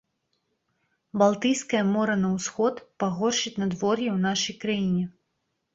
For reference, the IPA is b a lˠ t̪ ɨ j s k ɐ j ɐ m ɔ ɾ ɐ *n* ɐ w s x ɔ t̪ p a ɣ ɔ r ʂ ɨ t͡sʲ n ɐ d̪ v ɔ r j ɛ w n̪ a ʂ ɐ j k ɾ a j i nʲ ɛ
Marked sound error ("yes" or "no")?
no